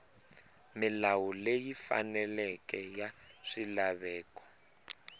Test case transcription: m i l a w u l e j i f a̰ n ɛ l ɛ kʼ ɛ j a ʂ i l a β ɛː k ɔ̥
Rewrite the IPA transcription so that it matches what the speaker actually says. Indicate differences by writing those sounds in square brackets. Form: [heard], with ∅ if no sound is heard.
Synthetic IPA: m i l a w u l e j i f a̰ n ɛ l ɛ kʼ ɛ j a ʂ i l a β ɛː k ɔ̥